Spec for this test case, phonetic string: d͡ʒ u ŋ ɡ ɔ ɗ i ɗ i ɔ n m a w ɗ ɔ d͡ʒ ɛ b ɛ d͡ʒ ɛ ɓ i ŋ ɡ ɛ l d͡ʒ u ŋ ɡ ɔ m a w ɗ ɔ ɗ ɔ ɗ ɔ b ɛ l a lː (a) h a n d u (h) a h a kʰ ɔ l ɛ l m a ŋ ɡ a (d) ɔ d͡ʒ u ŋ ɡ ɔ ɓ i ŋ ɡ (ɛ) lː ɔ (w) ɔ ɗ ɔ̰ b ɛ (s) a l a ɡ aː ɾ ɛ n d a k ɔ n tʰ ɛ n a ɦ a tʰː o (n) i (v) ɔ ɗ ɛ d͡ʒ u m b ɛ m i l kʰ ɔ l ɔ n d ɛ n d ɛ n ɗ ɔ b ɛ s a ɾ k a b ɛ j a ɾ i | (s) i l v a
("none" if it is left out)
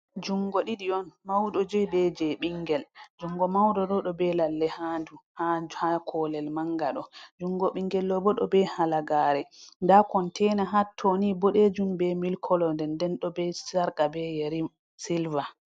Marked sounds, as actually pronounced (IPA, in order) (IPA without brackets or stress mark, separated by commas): ɛ, h, ɗ, ɛ, b, h, n, b, s